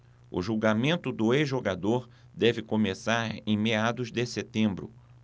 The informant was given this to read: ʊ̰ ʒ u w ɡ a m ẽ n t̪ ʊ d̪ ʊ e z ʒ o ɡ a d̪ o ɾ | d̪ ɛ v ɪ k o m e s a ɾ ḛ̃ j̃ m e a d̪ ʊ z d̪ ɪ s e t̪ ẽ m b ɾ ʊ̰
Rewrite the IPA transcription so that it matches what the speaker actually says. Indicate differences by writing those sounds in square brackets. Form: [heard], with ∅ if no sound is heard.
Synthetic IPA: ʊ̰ ʒ u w ɡ a m ẽ n t̪ ʊ d̪ ʊ e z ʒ o ɡ a d̪ o ɾ | d̪ ɛ v ɪ k o m e s a ɾ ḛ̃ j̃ m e a d̪ ʊ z d̪ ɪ s e t̪ ẽ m b ɾ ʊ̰

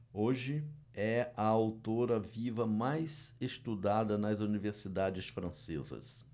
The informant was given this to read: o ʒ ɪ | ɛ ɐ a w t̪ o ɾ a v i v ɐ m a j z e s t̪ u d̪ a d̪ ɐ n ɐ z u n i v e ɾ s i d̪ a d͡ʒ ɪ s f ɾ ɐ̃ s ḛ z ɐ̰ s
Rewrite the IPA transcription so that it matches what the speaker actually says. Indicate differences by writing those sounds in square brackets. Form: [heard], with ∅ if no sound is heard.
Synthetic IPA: o ʒ ɪ | ɛ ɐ a w t̪ o ɾ [ɐ] v i v ɐ m a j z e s t̪ u d̪ a d̪ ɐ n ɐ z u n i v e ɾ s i d̪ a d͡ʒ ɪ s f ɾ ɐ̃ s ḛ z ɐ̰ s

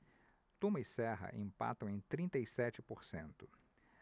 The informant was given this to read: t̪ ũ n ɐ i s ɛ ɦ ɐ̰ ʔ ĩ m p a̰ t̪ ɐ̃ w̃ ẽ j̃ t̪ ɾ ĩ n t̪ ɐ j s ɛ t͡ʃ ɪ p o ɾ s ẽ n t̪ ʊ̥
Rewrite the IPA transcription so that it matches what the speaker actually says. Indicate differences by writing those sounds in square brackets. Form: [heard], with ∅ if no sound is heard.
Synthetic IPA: t̪ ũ [m] ɐ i s ɛ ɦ ɐ̰ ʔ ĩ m p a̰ t̪ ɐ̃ w̃ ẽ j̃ t̪ ɾ ĩ n t̪ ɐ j s ɛ t͡ʃ ɪ p o ɾ s ẽ n t̪ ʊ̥

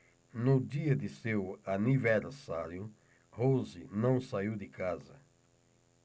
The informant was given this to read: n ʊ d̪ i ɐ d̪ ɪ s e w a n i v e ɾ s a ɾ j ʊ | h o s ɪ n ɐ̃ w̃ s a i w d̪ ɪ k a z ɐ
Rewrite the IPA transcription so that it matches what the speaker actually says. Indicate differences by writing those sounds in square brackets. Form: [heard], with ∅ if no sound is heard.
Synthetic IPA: n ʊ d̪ i ɐ d̪ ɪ s e w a n i v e ɾ s a ɾ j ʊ | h o [z] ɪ n ɐ̃ w̃ s a i w d̪ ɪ k a z ɐ

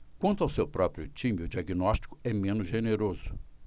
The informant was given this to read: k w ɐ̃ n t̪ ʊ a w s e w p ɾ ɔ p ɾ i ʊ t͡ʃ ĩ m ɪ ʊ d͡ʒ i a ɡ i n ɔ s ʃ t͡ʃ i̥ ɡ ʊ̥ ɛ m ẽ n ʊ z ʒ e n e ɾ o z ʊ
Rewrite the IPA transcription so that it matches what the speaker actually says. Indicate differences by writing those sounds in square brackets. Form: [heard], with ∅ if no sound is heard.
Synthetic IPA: k w ɐ̃ n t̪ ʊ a w s e w p ɾ ɔ p ɾ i ʊ t͡ʃ ĩ m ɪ ʊ d͡ʒ i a ɡ i n ɔ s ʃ t͡ʃ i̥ [k] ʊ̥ ɛ m ẽ n ʊ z ʒ e n e ɾ o z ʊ

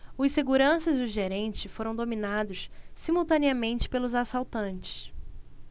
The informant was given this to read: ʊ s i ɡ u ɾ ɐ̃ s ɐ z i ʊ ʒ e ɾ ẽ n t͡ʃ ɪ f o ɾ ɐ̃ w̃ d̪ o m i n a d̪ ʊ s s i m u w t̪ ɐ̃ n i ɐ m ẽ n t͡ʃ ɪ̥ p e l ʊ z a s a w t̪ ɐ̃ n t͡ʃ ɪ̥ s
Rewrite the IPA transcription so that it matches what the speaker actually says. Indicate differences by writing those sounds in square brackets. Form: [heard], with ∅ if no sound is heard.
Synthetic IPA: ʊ s [e] ɡ u ɾ ɐ̃ s ɐ z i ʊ ʒ e ɾ ẽ n t͡ʃ ɪ f o ɾ ɐ̃ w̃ d̪ o m i n a d̪ ʊ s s i m u w t̪ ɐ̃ n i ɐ m ẽ n t͡ʃ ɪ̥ p e l ʊ z a s a w t̪ ɐ̃ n t͡ʃ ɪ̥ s

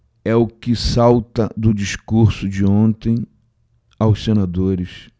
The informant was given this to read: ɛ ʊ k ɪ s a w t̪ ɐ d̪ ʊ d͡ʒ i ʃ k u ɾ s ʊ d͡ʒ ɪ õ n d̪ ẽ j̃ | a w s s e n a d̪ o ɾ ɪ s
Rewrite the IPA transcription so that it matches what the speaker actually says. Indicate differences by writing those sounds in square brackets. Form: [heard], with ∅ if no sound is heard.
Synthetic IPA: ɛ ʊ k ɪ s a w t̪ ɐ d̪ ʊ d͡ʒ i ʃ k u ɾ s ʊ d͡ʒ ɪ õ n [t̪] ẽ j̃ | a w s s e n a d̪ o ɾ ɪ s

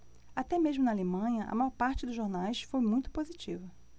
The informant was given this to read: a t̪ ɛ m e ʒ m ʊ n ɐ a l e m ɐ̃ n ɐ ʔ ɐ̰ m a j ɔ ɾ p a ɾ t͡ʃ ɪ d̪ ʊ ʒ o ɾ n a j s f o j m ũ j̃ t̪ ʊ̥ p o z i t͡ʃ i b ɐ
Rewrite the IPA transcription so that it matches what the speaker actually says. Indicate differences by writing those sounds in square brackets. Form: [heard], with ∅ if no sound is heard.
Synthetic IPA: a t̪ ɛ m e ʒ m ʊ n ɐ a l e m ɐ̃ [ɲ] ɐ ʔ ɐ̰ m a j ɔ ɾ p a ɾ t͡ʃ ɪ d̪ ʊ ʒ o ɾ n a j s f o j m ũ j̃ t̪ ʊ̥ p o z i t͡ʃ i [v] ɐ

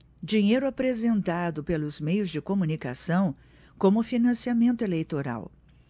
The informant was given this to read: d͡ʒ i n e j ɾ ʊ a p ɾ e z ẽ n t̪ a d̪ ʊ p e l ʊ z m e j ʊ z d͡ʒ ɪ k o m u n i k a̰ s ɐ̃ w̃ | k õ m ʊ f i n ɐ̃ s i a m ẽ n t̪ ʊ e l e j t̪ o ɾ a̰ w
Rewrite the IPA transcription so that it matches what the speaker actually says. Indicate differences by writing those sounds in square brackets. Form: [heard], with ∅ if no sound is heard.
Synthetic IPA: d͡ʒ i [ɲ] e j ɾ ʊ a p ɾ e z ẽ n t̪ a d̪ ʊ p e l ʊ z m e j ʊ z d͡ʒ ɪ k o m u n i k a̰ s ɐ̃ w̃ | k õ m ʊ f i n ɐ̃ s i a m ẽ n t̪ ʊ e l e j t̪ o ɾ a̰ w

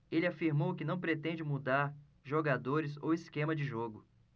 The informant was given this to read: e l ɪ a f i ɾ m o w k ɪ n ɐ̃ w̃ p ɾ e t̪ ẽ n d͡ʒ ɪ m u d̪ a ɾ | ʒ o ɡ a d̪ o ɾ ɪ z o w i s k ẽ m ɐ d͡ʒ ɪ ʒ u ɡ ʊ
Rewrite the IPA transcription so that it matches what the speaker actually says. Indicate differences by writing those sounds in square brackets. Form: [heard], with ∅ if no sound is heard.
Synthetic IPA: e l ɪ a f i ɾ m o w k ɪ n ɐ̃ w̃ p ɾ e t̪ ẽ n d͡ʒ ɪ m u d̪ a ɾ | ʒ o ɡ a d̪ o ɾ ɪ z o w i s k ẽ m ɐ d͡ʒ ɪ ʒ [o] ɡ ʊ

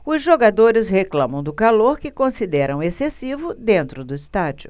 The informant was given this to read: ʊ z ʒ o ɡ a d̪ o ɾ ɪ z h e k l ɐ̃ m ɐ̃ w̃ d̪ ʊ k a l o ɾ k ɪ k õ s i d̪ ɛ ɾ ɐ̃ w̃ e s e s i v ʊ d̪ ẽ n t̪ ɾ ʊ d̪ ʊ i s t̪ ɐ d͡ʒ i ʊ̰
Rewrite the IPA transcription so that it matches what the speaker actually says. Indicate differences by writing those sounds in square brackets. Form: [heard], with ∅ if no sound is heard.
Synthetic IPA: ʊ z ʒ o ɡ a d̪ o ɾ ɪ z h e k l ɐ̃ m ɐ̃ w̃ d̪ ʊ k a l o ɾ k ɪ k õ s i d̪ ɛ ɾ ɐ̃ w̃ e s e s i v ʊ d̪ ẽ n t̪ ɾ ʊ d̪ ʊ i s t̪ [a] d͡ʒ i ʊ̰

